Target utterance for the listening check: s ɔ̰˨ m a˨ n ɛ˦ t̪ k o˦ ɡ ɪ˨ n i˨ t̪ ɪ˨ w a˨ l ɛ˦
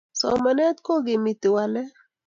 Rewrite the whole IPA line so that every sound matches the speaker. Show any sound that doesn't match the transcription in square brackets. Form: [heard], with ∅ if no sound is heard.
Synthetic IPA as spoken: s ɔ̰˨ m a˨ n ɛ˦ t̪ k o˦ ɡ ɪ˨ [m] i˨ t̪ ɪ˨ w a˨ l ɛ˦